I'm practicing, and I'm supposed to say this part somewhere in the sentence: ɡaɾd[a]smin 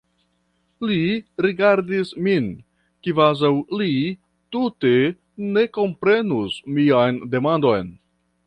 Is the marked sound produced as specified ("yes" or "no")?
no